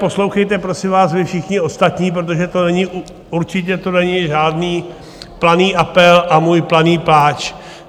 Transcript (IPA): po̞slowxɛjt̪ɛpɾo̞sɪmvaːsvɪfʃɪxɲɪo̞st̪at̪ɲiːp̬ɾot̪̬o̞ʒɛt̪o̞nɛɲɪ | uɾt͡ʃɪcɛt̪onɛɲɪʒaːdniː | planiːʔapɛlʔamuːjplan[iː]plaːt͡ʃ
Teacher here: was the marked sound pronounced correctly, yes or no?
yes